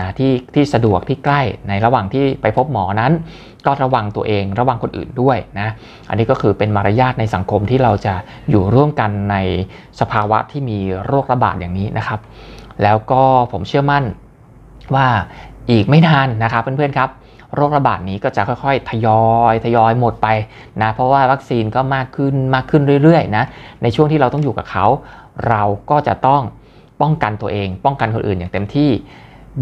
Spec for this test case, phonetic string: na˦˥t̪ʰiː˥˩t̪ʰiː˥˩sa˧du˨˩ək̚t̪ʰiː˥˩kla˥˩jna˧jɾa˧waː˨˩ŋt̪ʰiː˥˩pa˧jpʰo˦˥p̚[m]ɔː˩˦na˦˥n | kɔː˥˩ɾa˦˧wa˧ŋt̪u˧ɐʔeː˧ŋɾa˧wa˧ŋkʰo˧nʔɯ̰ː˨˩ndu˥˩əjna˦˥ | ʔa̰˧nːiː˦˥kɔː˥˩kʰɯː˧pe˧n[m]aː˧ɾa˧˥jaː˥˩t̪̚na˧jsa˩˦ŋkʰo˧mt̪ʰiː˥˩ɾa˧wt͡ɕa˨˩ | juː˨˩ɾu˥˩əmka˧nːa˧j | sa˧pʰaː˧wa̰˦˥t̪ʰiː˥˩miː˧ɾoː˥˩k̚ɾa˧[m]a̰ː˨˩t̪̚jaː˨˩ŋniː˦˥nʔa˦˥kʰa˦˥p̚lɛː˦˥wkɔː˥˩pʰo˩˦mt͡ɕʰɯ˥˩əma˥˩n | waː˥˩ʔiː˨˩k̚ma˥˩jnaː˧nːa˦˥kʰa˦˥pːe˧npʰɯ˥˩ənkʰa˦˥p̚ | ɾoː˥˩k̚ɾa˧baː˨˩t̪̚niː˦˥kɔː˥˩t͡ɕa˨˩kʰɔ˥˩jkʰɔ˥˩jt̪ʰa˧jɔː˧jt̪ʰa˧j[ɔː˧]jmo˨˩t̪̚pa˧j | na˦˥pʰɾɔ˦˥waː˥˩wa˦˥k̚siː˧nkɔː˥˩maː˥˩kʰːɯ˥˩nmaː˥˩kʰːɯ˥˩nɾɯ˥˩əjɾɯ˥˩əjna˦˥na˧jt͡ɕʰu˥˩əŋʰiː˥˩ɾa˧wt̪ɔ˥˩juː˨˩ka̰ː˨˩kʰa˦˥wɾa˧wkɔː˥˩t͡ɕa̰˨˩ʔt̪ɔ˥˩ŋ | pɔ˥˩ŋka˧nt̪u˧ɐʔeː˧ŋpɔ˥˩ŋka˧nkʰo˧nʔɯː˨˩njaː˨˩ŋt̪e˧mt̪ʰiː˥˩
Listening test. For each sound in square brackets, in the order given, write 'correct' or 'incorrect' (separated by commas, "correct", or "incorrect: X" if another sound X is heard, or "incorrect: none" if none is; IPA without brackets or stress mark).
correct, correct, incorrect: b, correct